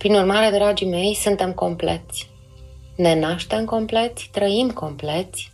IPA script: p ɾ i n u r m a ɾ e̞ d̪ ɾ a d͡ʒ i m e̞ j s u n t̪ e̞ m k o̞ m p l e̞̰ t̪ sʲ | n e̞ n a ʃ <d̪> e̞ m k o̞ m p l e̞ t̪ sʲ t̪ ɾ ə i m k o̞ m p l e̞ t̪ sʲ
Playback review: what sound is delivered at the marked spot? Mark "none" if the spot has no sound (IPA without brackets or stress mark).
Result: t̪